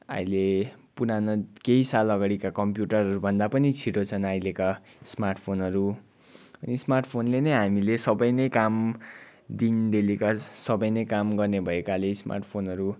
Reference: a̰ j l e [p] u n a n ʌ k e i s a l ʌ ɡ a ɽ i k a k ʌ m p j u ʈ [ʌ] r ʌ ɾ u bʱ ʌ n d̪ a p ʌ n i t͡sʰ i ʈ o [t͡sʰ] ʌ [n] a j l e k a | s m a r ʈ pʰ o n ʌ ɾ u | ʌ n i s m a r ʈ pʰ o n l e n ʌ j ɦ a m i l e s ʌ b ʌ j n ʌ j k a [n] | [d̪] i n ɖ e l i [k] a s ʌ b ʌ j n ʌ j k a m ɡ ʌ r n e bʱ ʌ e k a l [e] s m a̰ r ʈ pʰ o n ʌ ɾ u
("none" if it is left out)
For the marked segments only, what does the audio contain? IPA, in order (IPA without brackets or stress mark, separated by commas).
p, ʌ, t͡sʰ, n, m, d̪, k, e